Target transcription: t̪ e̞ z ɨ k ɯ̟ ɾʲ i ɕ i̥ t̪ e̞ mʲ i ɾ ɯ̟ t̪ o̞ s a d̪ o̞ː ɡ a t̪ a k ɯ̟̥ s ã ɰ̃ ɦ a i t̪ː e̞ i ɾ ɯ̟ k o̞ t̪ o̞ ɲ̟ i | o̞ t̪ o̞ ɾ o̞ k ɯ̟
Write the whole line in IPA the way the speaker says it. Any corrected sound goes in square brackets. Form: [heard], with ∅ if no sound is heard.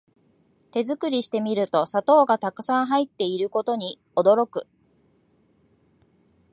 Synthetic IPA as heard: t̪ e̞ z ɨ k ɯ̟ ɾʲ i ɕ i̥ t̪ e̞ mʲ i ɾ ɯ̟ t̪ o̞ s a [t̪] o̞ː ɡ a t̪ a k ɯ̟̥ s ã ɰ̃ ɦ a i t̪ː e̞ i ɾ ɯ̟ k o̞ t̪ o̞ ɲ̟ i | o̞ [d̪] o̞ ɾ o̞ k ɯ̟